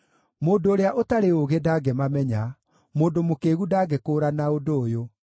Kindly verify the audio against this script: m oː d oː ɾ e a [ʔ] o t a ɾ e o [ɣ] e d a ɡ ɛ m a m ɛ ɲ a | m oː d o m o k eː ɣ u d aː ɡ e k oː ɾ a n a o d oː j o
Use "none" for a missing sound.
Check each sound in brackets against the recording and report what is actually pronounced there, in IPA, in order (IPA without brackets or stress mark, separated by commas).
ʔ, ɣ